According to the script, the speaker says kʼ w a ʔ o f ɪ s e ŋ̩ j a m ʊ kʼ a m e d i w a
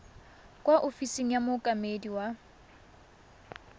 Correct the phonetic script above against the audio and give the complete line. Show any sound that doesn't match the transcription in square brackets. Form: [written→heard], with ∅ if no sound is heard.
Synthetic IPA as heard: kʼ w a ʔ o f [ɪ→i] s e ŋ̩ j a m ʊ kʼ a m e d i w a